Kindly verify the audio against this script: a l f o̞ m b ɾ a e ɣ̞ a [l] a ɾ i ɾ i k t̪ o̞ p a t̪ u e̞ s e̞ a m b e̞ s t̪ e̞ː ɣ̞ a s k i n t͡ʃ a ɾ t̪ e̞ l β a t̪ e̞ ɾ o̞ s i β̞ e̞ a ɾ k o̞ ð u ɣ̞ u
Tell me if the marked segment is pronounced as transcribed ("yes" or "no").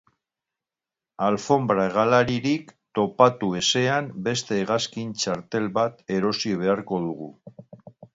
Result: yes